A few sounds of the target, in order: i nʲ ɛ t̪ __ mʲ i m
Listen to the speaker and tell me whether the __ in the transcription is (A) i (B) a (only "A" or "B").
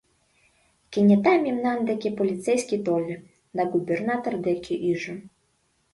B